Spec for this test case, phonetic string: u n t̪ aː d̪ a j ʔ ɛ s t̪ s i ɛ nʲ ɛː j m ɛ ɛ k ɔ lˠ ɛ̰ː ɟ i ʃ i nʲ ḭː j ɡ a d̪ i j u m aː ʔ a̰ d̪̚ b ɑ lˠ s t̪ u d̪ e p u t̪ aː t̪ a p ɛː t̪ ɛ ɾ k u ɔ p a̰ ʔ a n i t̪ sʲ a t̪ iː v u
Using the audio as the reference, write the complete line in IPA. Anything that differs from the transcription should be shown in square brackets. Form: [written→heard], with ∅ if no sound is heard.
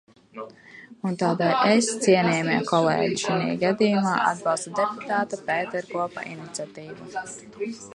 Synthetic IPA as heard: u n t̪ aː d̪ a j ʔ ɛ s t̪ s i ɛ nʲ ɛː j m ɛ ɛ k ɔ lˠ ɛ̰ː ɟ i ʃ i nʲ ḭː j ɡ a d̪ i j u m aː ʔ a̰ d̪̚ b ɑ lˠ s t̪ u d̪ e p u t̪ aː t̪ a p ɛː t̪ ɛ ɾ k u ɔ p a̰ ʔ [a→i] n i t̪ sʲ a t̪ iː v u